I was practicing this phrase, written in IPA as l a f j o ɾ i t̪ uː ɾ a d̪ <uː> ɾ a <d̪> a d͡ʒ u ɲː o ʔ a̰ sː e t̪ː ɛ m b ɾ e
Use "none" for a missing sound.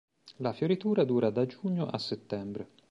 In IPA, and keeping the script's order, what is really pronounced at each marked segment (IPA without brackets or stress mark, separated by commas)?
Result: uː, d̪